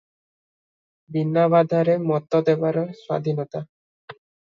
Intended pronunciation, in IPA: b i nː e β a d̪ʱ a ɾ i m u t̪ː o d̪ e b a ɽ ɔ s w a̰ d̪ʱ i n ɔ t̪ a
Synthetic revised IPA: b i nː a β a d̪ʱ a ɾ e m ɔ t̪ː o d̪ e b a ɾ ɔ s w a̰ d̪ʱ i n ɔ t̪ a